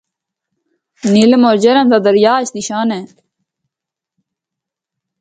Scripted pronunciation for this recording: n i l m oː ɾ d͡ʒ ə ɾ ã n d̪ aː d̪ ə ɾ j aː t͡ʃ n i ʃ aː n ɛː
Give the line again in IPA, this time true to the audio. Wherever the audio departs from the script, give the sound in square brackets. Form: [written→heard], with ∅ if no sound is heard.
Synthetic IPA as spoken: n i l m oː ɾ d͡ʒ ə ɾ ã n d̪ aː d̪ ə ɾ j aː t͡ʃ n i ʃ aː n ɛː